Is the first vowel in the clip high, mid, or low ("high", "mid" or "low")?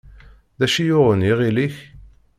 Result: low